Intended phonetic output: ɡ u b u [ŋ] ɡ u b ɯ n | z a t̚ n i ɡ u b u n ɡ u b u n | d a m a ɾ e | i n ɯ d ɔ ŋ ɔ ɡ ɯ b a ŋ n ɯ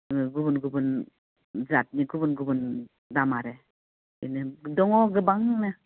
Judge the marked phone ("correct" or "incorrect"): incorrect